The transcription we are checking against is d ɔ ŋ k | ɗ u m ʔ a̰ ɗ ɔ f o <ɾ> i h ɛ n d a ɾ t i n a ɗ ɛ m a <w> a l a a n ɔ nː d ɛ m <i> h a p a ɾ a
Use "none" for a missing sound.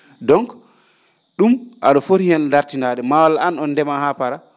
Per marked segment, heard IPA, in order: ɾ, w, a

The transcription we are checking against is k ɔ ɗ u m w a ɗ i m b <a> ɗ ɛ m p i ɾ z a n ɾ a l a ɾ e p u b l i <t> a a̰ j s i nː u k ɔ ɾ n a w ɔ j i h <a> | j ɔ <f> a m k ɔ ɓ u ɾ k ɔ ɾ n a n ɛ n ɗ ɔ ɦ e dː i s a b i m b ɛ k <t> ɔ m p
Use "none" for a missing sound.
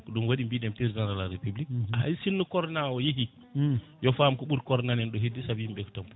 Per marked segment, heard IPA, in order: i, k, i, f, t

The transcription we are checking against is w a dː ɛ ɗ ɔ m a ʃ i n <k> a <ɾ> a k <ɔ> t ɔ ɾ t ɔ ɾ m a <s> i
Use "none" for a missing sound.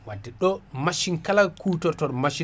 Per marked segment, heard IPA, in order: k, l, u, ʃ

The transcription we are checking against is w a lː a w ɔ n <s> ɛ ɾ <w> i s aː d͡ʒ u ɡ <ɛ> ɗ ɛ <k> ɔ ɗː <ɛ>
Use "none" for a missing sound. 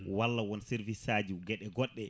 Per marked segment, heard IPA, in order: s, v, ɛ, ɡ, ɛ

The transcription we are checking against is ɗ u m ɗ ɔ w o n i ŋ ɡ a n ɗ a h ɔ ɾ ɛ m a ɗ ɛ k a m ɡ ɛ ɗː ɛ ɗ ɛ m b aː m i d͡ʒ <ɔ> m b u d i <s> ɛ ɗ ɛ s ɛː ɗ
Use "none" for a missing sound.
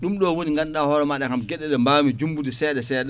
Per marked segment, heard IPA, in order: u, s

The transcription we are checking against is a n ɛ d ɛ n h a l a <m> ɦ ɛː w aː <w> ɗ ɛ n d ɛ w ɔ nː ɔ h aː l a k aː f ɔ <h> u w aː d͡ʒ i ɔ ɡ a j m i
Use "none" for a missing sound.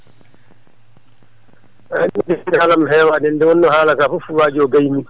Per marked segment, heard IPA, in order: m, none, f

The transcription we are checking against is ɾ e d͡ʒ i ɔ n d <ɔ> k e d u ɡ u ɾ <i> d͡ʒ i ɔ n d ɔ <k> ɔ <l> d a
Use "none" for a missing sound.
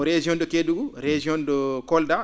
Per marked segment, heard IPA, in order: ɔ, e, k, l

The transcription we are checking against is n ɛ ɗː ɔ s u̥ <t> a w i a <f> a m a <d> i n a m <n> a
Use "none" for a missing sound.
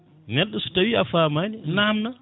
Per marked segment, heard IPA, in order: t, f, n, n

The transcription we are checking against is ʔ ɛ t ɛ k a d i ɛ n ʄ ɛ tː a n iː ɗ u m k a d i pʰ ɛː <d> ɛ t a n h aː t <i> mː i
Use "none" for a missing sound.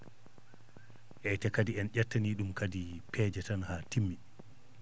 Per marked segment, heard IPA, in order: d͡ʒ, i

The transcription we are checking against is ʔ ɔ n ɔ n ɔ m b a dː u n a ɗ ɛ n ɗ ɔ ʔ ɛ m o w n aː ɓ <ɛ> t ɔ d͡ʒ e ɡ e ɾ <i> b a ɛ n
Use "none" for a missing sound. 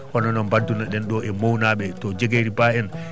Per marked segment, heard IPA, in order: ɛ, i

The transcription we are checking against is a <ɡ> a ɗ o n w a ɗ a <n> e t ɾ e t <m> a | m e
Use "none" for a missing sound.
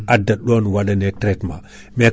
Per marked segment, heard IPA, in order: d, n, m

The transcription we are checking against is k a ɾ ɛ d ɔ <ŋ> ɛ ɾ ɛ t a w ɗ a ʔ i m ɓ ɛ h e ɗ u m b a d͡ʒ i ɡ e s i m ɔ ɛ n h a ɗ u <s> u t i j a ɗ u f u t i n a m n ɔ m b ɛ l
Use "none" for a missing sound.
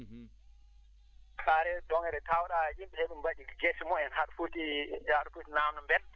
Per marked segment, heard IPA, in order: ŋ, f

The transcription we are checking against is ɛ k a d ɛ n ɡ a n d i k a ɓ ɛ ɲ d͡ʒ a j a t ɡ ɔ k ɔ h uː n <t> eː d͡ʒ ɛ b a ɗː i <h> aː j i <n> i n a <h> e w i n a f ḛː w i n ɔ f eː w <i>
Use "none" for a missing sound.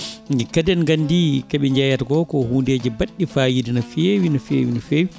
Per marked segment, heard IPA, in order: d, f, d, f, i

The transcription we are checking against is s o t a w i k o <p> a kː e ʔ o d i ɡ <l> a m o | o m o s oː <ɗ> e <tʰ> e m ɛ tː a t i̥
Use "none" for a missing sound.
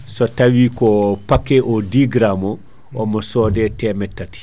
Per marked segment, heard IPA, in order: p, ɾ, d, t

